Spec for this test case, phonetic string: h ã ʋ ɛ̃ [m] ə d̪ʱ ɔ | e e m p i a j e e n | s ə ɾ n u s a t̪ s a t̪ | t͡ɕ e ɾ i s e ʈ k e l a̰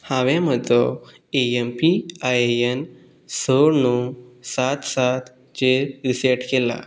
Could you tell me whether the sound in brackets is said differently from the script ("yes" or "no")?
no